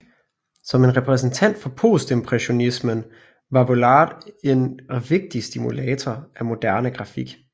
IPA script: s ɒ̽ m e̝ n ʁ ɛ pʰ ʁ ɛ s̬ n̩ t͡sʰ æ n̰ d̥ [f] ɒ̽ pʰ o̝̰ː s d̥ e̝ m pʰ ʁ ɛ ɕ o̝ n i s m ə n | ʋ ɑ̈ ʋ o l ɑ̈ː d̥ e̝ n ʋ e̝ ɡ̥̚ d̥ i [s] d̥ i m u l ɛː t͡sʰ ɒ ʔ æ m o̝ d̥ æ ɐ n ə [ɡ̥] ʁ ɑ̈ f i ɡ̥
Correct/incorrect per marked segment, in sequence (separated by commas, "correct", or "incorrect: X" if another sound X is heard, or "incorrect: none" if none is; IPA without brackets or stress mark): correct, correct, correct